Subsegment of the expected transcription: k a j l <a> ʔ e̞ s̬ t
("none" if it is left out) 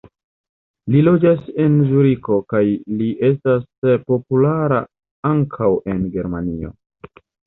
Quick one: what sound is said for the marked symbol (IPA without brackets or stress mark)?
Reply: i